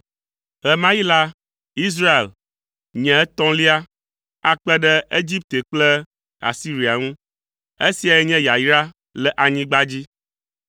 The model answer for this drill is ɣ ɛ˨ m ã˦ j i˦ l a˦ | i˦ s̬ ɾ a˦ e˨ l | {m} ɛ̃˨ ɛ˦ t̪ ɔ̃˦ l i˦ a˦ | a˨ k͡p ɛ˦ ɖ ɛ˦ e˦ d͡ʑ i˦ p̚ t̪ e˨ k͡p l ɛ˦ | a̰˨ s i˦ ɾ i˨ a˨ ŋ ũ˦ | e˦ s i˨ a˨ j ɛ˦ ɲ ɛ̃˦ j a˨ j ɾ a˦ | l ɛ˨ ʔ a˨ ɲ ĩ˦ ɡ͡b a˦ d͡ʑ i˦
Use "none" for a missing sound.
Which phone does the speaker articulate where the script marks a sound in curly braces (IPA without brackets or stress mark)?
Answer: ɲ